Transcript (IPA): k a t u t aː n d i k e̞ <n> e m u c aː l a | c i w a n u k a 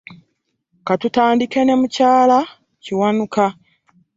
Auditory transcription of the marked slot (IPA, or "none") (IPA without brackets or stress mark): n